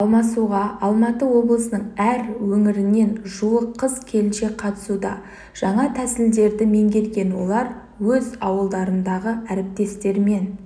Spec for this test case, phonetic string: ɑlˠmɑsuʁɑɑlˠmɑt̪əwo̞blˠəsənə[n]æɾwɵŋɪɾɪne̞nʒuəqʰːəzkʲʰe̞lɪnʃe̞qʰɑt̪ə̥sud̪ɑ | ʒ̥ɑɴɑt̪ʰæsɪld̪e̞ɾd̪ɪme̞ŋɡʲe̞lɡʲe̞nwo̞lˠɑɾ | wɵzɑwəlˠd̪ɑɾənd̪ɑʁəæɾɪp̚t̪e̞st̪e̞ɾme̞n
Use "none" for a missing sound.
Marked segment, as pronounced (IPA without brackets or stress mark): ɴ